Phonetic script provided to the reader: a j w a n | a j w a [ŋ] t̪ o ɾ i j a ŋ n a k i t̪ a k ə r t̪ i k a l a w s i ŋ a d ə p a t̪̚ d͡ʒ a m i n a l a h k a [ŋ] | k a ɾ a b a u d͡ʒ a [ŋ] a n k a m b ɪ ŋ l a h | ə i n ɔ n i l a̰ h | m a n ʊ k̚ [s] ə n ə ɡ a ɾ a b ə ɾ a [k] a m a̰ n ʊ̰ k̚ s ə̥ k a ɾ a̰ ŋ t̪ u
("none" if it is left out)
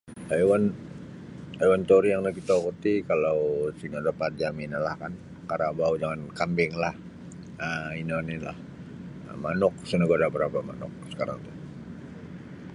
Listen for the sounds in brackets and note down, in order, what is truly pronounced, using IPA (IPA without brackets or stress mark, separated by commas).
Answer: n, n, ŋ, s, p